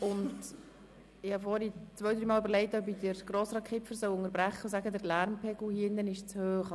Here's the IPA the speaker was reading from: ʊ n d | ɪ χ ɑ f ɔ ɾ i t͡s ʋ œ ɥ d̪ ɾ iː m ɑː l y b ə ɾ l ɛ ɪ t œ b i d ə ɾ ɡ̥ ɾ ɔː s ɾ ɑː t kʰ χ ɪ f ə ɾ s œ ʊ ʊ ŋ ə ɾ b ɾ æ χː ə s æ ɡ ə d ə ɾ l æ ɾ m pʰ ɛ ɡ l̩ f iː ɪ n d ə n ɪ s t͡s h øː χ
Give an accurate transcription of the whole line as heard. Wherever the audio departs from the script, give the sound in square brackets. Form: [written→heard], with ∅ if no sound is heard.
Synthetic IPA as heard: ʊ n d | ɪ [χ→h] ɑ f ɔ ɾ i t͡s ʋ œ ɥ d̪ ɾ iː m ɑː l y b ə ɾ l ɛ ɪ t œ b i d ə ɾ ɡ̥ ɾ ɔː s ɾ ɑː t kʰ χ ɪ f ə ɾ s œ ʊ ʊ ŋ ə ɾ b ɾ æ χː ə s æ ɡ ə d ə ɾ l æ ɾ m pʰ ɛ ɡ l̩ [f→h] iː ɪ n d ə n ɪ [s→ʃ] t͡s h øː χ